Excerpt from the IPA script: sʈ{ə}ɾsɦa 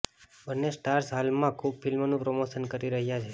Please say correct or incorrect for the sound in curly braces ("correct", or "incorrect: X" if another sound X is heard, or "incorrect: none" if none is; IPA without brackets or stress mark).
incorrect: a